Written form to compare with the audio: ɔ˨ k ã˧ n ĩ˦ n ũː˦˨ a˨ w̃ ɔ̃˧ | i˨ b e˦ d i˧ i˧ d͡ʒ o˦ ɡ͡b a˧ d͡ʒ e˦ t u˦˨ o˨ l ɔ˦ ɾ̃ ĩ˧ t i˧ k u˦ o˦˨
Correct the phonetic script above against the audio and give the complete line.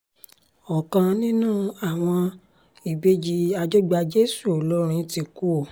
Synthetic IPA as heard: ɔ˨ k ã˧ n ĩ˦ n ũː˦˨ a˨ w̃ ɔ̃˧ | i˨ b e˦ d͡ʒ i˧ a˧ d͡ʒ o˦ ɡ͡b a˧ d͡ʒ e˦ s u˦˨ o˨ l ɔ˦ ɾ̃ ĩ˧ t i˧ k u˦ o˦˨